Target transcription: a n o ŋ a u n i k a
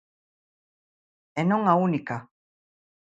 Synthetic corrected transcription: e n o ŋ a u n i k a